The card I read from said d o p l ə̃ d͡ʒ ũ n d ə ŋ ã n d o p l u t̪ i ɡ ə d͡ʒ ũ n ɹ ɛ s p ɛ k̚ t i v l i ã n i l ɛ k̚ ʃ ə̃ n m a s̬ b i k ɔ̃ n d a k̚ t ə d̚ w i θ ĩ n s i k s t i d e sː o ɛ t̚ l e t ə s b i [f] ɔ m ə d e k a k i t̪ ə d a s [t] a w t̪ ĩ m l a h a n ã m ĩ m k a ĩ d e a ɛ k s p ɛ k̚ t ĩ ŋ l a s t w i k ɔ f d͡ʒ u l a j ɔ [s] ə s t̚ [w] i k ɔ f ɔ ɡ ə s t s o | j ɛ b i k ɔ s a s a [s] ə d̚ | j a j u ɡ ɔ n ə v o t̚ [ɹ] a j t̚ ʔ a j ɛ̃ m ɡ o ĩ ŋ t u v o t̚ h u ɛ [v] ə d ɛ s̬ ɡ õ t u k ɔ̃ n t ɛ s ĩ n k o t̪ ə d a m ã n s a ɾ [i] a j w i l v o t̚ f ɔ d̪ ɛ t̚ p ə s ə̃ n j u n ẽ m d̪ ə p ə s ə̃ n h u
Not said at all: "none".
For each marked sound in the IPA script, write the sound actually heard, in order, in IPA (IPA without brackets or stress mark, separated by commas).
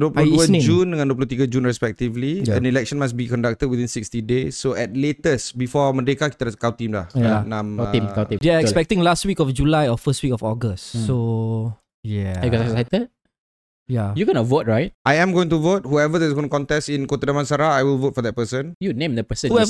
f, k, f, w, t, ɹ, v, a